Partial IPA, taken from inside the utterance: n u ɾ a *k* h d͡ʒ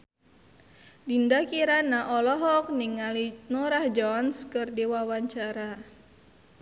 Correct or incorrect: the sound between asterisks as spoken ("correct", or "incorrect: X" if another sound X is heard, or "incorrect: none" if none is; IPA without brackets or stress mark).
incorrect: none